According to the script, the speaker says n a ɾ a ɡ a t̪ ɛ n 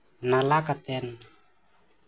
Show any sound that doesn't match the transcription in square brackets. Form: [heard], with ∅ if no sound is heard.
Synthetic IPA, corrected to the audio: n a [l] a [k] a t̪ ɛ n